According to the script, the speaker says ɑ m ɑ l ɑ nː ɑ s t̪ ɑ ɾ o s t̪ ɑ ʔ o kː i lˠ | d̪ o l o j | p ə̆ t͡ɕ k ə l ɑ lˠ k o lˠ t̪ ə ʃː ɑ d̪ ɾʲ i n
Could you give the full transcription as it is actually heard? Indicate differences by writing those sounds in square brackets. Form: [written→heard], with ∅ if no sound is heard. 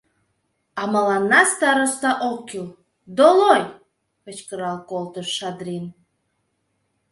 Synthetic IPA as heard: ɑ m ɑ l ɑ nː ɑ s t̪ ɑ ɾ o s t̪ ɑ ʔ o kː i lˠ | d̪ o l o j | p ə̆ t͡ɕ k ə [l→ɾ] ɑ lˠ k o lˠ t̪ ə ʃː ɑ d̪ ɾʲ i n